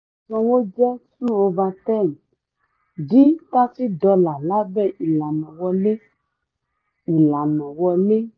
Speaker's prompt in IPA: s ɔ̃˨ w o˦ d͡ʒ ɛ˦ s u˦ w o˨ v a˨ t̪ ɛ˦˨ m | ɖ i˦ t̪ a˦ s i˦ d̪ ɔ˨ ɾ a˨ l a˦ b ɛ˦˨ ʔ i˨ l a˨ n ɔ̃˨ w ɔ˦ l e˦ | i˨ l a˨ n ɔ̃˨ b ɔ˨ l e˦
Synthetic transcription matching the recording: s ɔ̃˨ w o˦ d͡ʒ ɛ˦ s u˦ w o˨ v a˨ t̪ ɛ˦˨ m | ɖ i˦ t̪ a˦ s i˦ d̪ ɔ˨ l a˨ l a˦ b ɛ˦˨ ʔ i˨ l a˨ n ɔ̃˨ w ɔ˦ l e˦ | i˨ l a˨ n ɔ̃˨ w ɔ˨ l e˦